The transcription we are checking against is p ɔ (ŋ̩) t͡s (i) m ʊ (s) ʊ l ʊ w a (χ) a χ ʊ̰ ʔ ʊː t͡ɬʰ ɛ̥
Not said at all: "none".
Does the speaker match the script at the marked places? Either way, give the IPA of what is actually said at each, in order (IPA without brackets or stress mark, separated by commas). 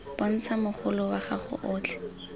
n̩, a, χ, χ